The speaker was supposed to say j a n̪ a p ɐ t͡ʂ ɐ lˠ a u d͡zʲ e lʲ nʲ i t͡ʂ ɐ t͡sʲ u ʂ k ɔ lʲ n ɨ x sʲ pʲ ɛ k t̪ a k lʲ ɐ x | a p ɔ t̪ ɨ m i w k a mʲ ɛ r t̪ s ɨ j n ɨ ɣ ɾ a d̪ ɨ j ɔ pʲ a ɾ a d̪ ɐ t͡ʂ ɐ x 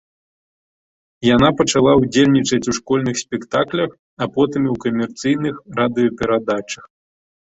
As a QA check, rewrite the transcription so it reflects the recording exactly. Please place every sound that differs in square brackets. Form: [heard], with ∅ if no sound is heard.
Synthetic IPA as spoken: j a n̪ a p ɐ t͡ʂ [a] lˠ a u d͡zʲ e lʲ nʲ i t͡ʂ ɐ t͡sʲ u ʂ k ɔ lʲ n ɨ x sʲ pʲ ɛ k t̪ a k lʲ ɐ x | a p ɔ t̪ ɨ m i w k [ɐ] mʲ ɛ r t̪ s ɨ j n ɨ [x] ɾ a d̪ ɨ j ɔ pʲ [ɛ] ɾ a d̪ [a] t͡ʂ ɐ x